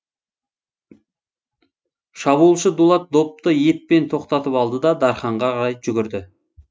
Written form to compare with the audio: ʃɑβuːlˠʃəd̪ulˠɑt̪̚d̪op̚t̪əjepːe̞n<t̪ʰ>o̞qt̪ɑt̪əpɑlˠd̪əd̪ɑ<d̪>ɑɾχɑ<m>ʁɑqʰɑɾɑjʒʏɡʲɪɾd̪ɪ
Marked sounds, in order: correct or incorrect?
correct, correct, incorrect: ɴ

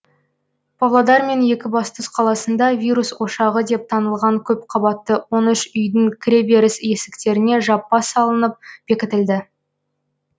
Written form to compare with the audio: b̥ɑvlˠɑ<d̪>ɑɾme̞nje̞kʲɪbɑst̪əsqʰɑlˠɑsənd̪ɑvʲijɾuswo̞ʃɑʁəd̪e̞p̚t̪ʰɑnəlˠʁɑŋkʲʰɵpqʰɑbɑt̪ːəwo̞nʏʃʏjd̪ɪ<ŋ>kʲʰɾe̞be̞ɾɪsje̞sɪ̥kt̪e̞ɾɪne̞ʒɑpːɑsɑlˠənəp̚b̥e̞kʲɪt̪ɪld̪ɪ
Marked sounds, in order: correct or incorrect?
correct, correct

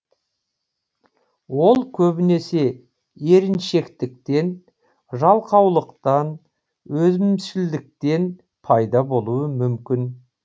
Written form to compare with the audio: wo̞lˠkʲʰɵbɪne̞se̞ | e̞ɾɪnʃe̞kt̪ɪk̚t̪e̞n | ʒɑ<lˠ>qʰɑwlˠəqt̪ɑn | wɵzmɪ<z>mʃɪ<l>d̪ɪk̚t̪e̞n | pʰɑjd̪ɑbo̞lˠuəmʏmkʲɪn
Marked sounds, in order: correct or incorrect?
correct, incorrect: none, correct

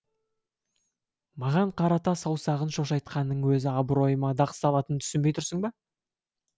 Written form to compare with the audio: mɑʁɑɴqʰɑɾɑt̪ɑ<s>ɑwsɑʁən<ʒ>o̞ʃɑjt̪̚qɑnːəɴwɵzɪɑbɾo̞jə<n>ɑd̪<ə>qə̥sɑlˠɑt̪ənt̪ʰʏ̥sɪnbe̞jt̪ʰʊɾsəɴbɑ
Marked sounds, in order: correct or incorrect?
correct, incorrect: ʃ, incorrect: m, incorrect: ɑ

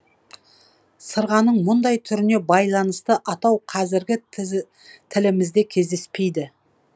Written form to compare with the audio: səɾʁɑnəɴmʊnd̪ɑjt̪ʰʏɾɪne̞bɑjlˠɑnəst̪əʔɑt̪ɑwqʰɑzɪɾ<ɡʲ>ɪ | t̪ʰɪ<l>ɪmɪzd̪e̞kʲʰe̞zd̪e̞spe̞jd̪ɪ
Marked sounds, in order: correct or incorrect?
correct, correct

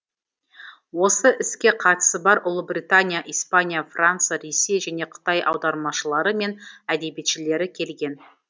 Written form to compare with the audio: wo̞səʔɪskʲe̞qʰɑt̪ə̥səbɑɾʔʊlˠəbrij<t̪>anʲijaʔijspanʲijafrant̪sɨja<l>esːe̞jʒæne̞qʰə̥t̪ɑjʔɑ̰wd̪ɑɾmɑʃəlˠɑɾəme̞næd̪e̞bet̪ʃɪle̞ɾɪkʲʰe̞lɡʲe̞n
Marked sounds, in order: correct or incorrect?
correct, incorrect: ɾ

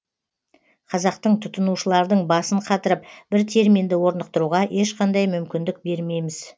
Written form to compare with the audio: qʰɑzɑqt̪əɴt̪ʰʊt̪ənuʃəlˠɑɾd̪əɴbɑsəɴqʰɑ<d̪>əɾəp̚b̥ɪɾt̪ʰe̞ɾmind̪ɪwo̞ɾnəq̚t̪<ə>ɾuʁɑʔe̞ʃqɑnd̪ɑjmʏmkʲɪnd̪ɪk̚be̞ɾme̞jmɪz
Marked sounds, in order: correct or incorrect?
incorrect: t̪, correct

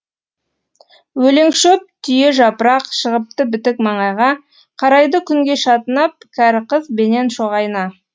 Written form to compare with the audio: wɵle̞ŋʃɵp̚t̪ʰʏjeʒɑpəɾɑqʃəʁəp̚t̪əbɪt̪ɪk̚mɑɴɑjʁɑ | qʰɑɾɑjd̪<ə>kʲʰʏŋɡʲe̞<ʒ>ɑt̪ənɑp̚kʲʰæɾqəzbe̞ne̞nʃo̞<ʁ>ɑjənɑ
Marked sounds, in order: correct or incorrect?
correct, incorrect: ʃ, correct

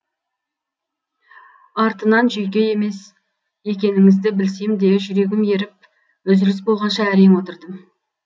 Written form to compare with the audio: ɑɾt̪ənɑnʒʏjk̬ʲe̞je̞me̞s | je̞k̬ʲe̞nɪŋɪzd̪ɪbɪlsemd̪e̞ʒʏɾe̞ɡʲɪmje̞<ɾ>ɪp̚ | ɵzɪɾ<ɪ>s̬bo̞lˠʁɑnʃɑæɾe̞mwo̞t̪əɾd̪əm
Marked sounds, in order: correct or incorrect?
correct, correct

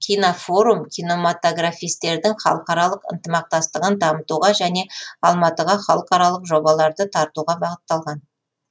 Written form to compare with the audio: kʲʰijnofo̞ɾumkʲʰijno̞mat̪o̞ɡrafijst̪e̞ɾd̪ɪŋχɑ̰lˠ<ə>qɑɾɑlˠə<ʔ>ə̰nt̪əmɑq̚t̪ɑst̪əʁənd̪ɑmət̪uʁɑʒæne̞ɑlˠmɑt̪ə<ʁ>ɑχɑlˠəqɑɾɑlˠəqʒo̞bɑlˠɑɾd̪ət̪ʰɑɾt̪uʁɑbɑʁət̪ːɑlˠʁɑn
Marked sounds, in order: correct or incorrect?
correct, incorrect: q, correct

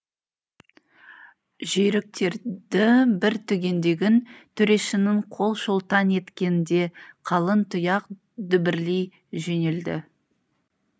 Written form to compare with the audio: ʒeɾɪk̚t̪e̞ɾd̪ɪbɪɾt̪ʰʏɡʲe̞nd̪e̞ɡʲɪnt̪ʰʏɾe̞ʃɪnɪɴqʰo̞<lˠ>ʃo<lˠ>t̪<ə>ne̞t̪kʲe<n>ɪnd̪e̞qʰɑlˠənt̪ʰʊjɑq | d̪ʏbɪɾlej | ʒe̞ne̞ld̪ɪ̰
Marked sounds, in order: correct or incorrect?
correct, correct, incorrect: ɑ, correct

